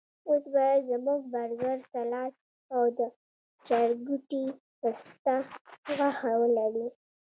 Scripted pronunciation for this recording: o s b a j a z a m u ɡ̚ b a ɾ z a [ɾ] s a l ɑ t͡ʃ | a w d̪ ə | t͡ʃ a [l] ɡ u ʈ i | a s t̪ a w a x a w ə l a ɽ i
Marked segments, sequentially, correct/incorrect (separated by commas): correct, incorrect